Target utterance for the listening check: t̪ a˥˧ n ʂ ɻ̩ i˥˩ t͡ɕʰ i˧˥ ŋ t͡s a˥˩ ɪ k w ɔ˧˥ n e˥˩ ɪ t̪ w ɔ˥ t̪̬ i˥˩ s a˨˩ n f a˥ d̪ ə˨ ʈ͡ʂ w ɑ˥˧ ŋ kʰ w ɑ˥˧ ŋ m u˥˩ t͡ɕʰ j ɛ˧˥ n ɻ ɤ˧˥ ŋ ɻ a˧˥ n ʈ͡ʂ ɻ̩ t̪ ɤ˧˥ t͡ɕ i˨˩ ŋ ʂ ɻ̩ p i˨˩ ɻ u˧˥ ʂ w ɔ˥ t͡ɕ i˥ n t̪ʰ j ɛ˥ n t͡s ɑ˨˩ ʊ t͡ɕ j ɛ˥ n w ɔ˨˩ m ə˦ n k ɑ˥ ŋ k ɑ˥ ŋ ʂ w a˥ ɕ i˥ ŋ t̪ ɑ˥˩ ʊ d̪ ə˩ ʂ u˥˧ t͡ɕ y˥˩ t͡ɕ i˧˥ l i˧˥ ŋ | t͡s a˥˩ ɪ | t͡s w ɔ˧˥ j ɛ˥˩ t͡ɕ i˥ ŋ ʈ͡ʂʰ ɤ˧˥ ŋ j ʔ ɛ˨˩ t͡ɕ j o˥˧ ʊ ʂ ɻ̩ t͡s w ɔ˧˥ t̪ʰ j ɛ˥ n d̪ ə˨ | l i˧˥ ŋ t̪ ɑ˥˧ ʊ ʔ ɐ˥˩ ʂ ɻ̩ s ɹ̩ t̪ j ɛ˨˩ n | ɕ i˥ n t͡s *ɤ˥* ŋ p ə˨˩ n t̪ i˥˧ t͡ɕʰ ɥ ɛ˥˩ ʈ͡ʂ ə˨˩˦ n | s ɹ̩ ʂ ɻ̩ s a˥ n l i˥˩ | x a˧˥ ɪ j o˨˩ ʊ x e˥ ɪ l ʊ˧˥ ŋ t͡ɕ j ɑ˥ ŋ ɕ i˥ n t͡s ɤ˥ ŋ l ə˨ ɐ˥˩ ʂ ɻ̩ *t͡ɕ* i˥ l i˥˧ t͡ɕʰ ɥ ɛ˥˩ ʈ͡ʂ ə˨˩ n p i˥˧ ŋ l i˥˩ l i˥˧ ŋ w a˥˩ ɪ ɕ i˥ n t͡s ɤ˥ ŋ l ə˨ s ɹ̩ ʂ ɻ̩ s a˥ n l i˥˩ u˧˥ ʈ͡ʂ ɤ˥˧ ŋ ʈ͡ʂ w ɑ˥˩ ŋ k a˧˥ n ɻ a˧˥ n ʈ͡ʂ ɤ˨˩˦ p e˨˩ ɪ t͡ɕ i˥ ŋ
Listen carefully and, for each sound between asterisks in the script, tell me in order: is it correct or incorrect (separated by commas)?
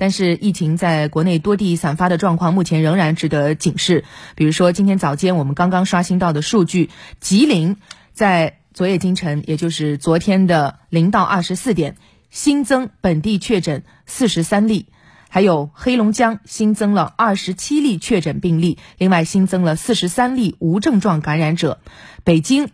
correct, incorrect